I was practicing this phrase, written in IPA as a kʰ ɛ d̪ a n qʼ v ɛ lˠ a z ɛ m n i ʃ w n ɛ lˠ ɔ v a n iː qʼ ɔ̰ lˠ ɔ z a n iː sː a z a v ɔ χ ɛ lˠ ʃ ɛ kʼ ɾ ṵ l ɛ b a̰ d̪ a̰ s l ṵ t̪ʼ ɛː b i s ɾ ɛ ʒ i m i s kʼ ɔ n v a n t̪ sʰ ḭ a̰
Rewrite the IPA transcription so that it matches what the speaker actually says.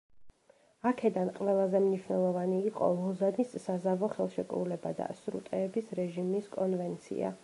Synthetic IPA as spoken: a kʰ ɛ d̪ a n qʼ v ɛ lˠ a z ɛ m n i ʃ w n ɛ lˠ ɔ v a n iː qʼ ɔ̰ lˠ ɔ z a n i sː a z a v ɔ χ ɛ lˠ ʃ ɛ kʼ ɾ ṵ l ɛ b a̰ d̪ a̰ s ɾ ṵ t̪ʼ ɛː b i s ɾ ɛ ʒ i m i s kʼ ɔ n v ɛ n t̪ sʰ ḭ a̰